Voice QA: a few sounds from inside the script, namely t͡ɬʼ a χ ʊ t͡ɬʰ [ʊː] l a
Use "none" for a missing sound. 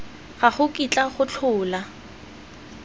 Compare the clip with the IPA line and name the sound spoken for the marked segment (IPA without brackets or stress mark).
ʊː